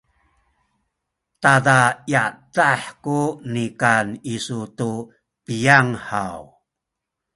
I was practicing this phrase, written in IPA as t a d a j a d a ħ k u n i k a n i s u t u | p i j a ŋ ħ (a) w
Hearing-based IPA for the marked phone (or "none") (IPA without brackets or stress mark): a